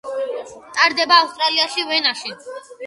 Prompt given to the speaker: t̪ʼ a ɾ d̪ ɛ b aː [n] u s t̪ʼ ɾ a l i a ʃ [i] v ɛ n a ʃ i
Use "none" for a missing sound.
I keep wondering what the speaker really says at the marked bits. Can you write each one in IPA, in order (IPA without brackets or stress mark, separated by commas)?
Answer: none, i